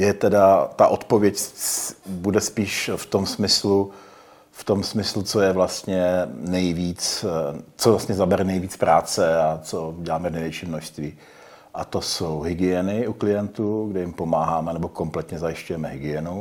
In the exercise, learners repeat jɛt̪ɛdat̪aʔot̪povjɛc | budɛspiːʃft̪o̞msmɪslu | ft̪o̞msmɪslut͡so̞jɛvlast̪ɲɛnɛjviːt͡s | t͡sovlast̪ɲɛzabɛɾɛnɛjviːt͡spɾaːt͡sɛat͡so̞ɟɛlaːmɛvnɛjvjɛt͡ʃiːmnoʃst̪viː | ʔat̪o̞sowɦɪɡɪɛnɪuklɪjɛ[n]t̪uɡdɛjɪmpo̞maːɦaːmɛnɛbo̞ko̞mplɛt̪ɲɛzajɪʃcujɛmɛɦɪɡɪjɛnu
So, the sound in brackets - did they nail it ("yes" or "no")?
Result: yes